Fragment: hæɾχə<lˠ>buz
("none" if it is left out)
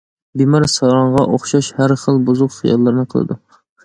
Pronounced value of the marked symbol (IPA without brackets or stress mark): lˠ